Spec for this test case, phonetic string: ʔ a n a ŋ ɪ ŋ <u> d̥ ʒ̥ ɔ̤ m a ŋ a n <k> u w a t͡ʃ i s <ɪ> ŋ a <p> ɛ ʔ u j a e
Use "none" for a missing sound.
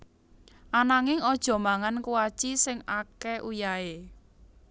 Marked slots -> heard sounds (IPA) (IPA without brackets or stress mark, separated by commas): ɔ, k, ɪ, k